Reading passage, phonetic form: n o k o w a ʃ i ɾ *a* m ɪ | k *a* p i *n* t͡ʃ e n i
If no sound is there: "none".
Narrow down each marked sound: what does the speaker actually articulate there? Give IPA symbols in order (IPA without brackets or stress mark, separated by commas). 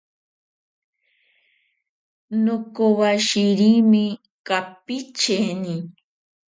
i, a, none